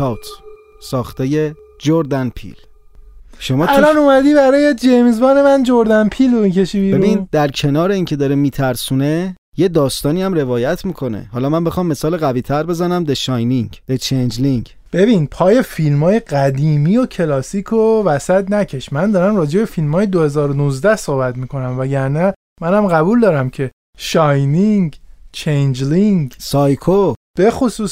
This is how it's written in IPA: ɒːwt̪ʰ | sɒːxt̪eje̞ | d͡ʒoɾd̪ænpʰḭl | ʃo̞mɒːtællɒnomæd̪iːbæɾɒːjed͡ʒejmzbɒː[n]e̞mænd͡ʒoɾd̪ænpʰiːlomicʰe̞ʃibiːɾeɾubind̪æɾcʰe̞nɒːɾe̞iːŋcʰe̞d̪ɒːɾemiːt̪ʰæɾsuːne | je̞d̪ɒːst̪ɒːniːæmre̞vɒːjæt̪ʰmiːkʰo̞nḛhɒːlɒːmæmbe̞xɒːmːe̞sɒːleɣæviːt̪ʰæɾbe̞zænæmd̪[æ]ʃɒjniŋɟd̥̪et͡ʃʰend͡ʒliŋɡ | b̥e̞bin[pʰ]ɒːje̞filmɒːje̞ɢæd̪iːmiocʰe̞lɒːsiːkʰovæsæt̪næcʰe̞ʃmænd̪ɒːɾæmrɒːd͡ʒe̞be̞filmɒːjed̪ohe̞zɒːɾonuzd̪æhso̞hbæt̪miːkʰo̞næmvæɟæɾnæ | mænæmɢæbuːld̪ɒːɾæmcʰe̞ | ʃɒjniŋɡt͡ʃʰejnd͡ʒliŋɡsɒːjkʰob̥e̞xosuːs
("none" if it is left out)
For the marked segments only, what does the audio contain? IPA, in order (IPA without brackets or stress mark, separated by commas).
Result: n, e, pʰ